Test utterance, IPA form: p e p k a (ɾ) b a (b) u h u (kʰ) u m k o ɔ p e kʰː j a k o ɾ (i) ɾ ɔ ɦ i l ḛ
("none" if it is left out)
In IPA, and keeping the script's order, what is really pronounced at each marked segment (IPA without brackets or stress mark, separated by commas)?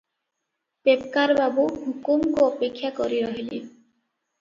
ɾ, b, k, i